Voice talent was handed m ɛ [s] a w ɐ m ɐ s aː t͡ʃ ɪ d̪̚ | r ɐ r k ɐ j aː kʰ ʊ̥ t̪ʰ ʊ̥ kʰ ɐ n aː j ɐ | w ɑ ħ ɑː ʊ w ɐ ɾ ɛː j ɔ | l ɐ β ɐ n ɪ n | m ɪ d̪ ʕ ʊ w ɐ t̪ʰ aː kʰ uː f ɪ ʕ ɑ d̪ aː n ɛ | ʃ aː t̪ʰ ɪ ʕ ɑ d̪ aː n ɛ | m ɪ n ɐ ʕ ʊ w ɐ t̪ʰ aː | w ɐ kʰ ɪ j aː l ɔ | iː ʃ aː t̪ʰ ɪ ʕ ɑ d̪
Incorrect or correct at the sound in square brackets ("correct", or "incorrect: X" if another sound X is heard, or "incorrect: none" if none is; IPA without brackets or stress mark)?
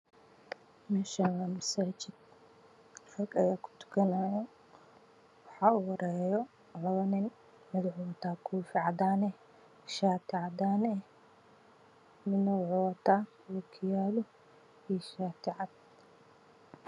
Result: incorrect: ʃ